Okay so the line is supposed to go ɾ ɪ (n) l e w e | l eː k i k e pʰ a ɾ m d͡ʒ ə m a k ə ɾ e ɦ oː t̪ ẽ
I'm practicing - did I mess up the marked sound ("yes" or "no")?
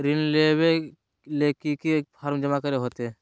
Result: no